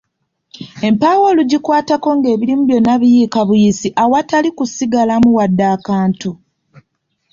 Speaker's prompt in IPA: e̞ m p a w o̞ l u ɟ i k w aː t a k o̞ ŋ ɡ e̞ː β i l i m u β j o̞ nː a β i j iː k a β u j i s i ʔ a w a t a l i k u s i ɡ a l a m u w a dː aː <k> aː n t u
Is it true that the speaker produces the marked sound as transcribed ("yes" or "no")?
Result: yes